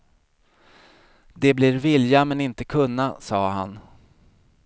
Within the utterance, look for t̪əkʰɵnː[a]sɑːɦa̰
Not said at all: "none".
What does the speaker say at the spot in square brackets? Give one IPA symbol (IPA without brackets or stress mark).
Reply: a